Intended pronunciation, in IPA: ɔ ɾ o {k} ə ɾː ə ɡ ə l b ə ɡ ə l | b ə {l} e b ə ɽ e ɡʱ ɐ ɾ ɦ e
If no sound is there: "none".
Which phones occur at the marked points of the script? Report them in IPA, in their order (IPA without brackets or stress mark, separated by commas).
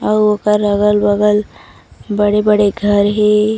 k, ɽ